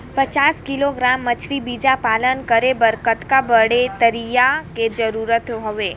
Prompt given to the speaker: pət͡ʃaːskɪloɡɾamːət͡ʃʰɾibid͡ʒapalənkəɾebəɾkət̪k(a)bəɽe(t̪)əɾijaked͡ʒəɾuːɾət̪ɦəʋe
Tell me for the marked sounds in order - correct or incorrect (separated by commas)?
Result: correct, correct